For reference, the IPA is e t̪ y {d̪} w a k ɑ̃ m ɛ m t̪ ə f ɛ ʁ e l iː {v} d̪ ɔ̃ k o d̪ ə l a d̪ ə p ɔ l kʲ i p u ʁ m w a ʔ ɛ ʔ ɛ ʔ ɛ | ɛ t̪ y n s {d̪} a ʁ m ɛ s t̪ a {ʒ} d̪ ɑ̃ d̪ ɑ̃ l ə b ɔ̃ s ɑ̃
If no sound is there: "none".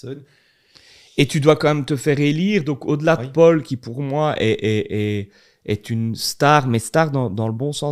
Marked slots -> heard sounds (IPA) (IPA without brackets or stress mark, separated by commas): d̪, ʁ, t̪, ʁ